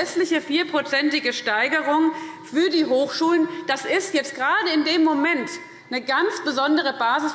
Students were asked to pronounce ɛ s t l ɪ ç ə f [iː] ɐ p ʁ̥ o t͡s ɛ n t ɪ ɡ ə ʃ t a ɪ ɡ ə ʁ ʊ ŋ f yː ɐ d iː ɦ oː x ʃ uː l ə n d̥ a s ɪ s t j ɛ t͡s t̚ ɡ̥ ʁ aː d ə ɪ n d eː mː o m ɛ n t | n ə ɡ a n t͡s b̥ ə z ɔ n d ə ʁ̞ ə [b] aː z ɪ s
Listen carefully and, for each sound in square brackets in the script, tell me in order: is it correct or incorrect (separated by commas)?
correct, correct